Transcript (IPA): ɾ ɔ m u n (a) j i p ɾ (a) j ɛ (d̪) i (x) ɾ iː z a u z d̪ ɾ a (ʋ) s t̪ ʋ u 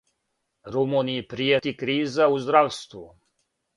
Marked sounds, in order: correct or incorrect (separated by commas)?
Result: incorrect, incorrect, incorrect, incorrect, incorrect